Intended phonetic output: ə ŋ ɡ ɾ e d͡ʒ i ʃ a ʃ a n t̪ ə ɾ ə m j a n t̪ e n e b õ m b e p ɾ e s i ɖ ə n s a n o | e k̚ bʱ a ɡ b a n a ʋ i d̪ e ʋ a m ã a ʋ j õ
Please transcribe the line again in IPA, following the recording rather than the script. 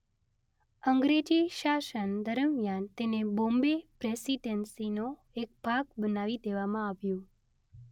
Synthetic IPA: ə ŋ ɡ ɾ e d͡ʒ i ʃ a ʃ ə n d̪ ə ɾ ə m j a n t̪ e n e b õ m b e p ɾ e s i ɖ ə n s i n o | e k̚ bʱ a ɡ b ə n a ʋ i d̪ e ʋ a m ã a ʋ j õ